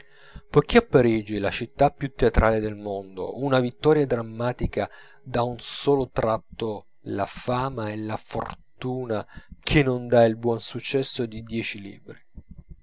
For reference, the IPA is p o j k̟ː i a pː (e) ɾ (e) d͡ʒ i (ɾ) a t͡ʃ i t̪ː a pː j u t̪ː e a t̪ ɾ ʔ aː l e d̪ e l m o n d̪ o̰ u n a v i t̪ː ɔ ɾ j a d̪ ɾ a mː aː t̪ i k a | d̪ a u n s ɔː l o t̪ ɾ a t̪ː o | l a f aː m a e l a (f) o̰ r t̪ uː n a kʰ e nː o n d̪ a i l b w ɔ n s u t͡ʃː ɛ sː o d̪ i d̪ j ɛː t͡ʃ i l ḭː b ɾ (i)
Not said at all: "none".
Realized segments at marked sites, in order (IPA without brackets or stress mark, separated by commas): a, i, l, f, i